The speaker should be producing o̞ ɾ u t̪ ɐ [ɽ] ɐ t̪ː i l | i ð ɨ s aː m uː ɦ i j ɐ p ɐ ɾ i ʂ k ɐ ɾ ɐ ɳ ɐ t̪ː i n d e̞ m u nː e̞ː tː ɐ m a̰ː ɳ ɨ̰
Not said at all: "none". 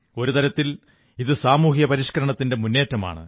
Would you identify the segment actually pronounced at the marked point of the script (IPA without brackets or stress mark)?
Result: ɾ